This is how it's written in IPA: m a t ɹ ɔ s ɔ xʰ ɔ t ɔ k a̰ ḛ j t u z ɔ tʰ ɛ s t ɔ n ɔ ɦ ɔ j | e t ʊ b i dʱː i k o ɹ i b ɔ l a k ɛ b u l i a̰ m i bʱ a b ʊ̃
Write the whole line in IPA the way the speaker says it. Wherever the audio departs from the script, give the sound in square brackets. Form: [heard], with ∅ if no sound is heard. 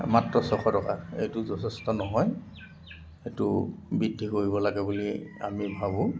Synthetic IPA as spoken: m a t ɹ ɔ s ɔ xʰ ɔ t ɔ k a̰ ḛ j t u z ɔ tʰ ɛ s t ɔ n ɔ ɦ ɔ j | e t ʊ b i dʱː i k o ɹ i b ɔ l a [ɡ] ɛ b u l i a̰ m i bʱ a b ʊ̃